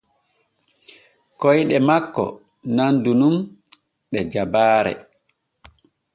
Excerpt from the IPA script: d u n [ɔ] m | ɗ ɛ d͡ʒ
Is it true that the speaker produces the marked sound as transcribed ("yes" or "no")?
no